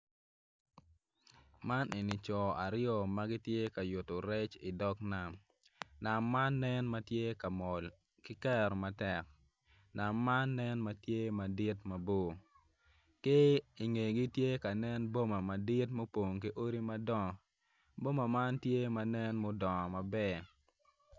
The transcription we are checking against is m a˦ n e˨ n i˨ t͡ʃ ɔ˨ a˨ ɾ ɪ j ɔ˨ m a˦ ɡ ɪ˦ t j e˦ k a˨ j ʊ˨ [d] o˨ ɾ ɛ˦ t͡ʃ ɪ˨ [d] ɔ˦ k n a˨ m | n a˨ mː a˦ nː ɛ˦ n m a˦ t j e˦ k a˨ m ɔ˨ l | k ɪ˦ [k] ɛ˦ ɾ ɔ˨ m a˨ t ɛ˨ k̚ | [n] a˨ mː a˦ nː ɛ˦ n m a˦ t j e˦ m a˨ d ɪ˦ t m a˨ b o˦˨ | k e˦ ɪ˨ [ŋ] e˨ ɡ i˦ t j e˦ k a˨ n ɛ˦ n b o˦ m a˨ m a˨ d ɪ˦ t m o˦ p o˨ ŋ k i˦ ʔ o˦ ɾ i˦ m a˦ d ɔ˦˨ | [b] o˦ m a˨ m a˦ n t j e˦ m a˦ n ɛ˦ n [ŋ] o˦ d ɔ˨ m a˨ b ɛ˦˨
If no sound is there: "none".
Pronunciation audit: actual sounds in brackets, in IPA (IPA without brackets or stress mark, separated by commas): t, d, k, n, ŋ, b, m